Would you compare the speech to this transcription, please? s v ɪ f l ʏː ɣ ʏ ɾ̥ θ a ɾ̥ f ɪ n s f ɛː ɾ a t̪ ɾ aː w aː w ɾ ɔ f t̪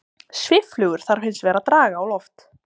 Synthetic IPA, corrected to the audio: s v ɪ f l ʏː ɣ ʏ ɾ̥ θ a ɾ̥ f ɪ n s v ɛː ɾ a t̪ ɾ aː ɣ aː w l ɔ f t̪